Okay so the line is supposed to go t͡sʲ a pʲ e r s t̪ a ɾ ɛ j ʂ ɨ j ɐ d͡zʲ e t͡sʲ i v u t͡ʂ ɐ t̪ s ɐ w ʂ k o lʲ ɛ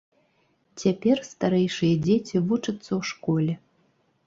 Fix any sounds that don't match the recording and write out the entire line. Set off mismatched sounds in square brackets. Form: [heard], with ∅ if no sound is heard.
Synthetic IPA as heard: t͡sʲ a pʲ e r s t̪ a ɾ ɛ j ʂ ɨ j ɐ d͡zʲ e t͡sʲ i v u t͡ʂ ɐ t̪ [sː] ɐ w ʂ k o lʲ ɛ